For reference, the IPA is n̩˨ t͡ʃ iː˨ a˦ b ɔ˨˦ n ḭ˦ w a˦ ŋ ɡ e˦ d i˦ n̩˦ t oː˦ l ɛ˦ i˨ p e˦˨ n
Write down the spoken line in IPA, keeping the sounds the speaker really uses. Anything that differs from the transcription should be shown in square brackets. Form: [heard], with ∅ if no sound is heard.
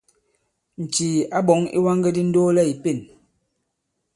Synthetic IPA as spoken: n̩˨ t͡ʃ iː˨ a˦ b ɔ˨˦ [ŋ] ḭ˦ w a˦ ŋ ɡ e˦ d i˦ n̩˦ [d] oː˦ l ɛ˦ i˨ p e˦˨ n